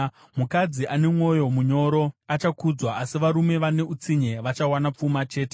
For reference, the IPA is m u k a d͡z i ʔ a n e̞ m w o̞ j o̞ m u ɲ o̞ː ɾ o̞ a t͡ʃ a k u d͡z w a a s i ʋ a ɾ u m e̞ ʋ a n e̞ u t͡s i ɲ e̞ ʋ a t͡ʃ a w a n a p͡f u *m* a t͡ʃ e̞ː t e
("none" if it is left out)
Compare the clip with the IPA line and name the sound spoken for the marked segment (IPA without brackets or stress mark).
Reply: m